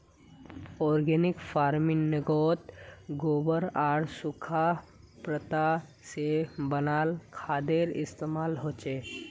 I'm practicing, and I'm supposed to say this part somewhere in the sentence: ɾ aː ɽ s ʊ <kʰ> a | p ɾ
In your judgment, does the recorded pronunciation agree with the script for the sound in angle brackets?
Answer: yes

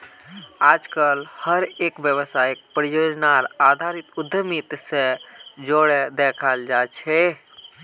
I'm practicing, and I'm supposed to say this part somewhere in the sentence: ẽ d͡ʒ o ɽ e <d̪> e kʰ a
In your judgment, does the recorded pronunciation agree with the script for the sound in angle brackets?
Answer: yes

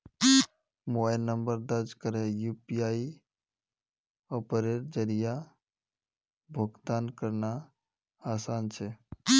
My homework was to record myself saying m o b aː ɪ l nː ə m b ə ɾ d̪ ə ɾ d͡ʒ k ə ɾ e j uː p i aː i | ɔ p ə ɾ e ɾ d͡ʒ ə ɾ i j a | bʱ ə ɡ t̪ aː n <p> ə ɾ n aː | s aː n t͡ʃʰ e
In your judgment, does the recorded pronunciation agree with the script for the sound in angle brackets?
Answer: no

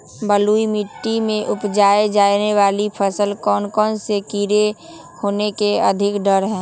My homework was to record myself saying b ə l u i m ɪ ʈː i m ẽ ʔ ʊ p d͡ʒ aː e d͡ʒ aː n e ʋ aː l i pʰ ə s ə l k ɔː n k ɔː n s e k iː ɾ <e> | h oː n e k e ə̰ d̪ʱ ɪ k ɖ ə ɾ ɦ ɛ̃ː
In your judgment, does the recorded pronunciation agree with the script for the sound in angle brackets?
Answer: yes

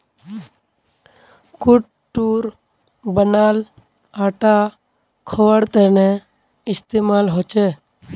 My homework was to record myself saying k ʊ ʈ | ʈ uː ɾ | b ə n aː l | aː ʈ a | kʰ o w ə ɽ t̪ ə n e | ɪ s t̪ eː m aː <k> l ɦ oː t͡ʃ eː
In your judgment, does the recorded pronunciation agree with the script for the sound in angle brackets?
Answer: no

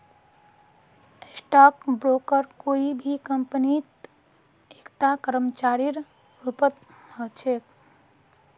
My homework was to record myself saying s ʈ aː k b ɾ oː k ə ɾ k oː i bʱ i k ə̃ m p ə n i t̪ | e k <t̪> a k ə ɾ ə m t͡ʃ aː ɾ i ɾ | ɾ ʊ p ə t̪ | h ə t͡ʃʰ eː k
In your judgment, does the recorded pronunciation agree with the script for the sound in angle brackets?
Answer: yes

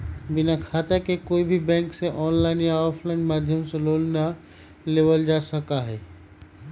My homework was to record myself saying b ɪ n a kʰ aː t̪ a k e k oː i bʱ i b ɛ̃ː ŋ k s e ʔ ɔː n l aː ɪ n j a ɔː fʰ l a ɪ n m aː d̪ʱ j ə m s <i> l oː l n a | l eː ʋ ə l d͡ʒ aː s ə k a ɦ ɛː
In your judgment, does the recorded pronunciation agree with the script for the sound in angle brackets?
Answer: no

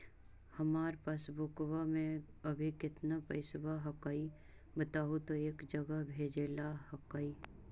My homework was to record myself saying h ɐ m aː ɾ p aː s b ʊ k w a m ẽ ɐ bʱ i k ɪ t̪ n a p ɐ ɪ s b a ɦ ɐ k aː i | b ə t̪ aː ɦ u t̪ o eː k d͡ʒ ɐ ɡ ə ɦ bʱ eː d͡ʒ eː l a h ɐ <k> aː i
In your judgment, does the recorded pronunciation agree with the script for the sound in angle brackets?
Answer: yes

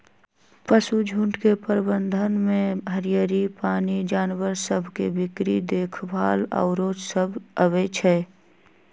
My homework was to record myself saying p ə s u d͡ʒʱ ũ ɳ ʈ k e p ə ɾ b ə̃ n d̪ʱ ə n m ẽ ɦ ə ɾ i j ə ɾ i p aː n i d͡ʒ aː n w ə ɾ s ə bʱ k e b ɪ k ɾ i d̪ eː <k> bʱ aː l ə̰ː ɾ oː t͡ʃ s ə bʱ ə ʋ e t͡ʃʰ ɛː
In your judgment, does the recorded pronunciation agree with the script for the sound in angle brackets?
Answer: no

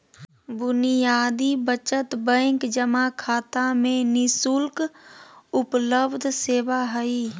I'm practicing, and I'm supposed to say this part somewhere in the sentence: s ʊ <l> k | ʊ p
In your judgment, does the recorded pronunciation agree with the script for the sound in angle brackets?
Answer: yes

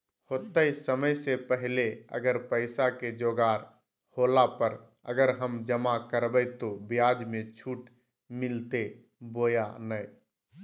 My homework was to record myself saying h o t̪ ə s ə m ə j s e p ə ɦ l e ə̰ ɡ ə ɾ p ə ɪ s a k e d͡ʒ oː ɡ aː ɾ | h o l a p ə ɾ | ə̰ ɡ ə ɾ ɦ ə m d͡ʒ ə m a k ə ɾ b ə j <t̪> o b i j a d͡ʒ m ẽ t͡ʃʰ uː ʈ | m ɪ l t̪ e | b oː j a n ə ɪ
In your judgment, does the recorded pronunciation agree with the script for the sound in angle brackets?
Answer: yes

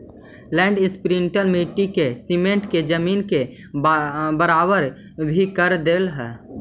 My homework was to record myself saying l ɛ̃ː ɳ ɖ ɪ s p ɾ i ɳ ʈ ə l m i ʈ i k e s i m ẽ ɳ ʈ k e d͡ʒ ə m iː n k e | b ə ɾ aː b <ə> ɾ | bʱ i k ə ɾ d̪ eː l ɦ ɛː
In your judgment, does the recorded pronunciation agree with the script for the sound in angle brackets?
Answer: yes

